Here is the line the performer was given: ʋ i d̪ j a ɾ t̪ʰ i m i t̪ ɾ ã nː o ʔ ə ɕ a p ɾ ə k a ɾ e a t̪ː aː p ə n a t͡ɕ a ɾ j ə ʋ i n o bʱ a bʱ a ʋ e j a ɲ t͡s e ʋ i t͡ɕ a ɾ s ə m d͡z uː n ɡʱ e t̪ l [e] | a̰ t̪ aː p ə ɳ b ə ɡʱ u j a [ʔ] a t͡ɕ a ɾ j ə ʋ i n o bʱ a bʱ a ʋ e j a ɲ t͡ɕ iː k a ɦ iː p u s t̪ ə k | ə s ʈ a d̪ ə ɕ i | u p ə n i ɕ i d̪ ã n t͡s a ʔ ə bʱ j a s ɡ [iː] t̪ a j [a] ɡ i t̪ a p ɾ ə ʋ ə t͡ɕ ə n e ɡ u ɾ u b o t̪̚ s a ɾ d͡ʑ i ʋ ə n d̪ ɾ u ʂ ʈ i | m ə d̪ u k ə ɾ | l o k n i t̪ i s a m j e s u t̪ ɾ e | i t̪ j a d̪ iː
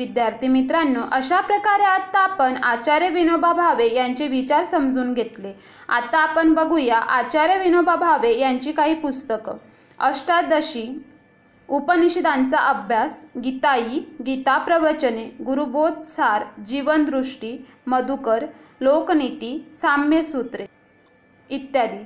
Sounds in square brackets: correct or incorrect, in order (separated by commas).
correct, correct, incorrect, incorrect